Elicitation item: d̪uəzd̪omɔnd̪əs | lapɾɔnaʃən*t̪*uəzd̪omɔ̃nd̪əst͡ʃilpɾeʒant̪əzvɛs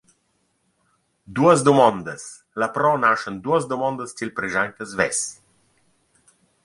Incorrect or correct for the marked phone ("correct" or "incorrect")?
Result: incorrect